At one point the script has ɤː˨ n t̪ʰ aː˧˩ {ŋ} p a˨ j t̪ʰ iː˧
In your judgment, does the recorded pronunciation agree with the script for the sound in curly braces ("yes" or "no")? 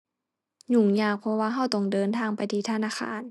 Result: yes